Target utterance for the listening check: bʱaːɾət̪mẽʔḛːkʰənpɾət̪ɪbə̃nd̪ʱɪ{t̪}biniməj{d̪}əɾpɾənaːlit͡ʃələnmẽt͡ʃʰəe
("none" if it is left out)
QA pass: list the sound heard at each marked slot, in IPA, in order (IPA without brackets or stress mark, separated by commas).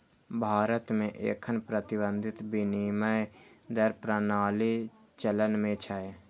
t̪, d̪